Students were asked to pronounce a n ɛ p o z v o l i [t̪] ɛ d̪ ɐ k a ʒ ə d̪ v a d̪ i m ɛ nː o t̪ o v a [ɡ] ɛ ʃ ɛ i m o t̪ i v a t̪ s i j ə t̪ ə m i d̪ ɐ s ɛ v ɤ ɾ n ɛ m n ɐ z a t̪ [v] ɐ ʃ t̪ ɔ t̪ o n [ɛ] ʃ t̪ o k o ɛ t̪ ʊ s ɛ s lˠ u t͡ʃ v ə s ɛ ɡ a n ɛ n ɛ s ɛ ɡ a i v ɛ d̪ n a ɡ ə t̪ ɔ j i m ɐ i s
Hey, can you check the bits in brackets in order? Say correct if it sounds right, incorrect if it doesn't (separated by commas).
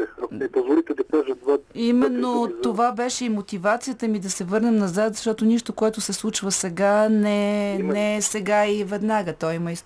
correct, incorrect, incorrect, incorrect